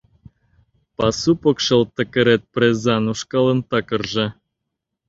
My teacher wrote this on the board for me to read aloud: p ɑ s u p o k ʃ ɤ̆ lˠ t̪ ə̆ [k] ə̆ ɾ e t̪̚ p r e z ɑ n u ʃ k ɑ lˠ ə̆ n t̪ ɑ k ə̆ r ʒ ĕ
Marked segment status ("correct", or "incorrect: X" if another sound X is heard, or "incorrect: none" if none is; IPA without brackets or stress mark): correct